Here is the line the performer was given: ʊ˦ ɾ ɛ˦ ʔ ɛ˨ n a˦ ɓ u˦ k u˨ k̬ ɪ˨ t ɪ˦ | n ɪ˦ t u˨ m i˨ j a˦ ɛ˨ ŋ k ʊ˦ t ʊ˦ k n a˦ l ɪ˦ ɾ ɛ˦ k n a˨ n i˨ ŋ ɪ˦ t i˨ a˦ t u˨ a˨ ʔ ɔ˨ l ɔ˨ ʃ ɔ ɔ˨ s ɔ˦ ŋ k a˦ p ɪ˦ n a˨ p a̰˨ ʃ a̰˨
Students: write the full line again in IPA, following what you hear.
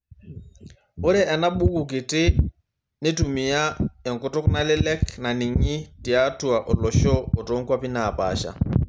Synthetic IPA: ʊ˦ ɾ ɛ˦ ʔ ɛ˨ n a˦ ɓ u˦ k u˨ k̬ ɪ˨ t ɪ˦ | n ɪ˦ t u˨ m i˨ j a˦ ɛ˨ ŋ k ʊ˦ t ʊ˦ k n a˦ l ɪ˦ l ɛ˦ k n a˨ n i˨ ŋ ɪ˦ t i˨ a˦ t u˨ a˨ ʔ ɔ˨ l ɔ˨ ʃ ɔ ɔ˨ t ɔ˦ ŋ k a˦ p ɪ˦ n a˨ p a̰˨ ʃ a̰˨